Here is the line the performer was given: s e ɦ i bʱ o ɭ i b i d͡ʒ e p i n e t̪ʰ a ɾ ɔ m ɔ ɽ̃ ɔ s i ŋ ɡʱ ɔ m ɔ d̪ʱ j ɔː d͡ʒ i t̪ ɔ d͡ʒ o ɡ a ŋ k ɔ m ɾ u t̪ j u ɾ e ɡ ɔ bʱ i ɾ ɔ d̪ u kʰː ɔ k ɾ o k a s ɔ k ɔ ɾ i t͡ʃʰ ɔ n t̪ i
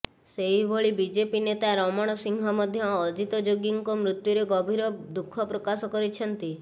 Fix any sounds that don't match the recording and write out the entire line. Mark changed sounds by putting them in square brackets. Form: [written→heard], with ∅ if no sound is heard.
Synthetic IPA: s e ɦ i bʱ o ɭ i b i d͡ʒ e p i n e [t̪ʰ→t̪] a ɾ ɔ m ɔ ɽ̃ ɔ s i ŋ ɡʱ ɔ m ɔ d̪ʱ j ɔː d͡ʒ i t̪ ɔ d͡ʒ o ɡ [a→i] ŋ k ɔ m ɾ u t̪ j u ɾ e ɡ ɔ bʱ i ɾ ɔ d̪ u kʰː ɔ [k→p] ɾ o k a s ɔ k ɔ ɾ i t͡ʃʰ ɔ n t̪ i